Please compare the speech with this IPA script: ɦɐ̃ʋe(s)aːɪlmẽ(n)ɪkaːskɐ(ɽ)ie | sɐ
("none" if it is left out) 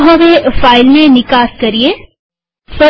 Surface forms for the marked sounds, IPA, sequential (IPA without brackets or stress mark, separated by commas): f, n, ɾ